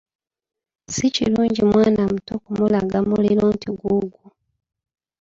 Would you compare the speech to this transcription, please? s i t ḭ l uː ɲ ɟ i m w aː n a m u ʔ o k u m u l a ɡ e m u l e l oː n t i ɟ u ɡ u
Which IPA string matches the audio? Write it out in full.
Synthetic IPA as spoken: s i c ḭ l uː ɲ ɟ i m w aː n a m u t o k u m u l a ɡ a m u l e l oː n t i ɡ u ɡ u

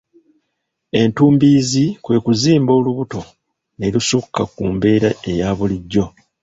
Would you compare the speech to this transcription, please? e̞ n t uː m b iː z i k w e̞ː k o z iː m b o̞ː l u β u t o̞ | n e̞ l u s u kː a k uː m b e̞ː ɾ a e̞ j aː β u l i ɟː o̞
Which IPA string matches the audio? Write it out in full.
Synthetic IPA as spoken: e̞ n t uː m b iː z i k w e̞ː k u z iː m b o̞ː l u β u t o̞ | n e̞ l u s u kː a k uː m b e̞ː ɾ a e̞ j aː β u l i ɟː o̞

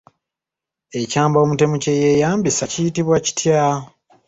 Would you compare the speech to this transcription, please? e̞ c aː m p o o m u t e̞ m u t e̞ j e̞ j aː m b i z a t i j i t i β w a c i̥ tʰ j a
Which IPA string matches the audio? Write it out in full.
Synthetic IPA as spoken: e̞ c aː m b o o m u t e̞ m u c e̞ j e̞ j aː m b i s a c i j i t i β w a c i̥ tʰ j a

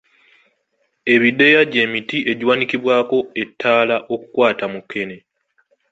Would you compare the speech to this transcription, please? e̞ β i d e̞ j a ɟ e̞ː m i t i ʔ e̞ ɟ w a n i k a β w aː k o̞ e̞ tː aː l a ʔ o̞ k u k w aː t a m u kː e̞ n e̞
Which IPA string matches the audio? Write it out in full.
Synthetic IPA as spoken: e̞ β i d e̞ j a ɟ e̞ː m i t i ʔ e̞ ɟ w a n i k i β w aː k o̞ e̞ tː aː l a ʔ o̞ k u k w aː t a m u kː e̞ n e̞

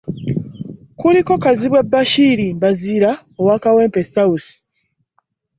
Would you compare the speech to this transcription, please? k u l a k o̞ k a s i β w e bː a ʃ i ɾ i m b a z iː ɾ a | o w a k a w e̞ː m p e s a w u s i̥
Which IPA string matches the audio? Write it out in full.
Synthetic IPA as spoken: k u l i k o̞ k a z i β w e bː a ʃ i ɾ i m b a z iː ɾ a | o w a k a w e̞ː m p e s a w u s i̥

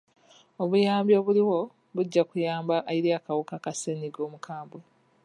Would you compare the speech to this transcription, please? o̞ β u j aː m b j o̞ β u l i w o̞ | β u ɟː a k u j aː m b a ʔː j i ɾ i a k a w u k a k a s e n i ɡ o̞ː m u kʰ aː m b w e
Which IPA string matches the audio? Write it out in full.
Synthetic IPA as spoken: o̞ β u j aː m b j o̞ β u l i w o̞ | β u ɟː a k u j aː m b a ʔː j i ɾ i a k a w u k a k a s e n i ɡ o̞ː m u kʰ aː m b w e

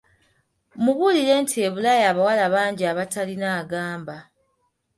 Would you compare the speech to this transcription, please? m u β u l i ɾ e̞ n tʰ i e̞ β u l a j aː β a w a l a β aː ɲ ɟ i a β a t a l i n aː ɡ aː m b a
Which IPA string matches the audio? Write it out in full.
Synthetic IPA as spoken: m u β u l i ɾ e̞ n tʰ i e̞ β u l a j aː β a w a l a β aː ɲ ɟ i a β a t a l i n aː ɡ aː m b a

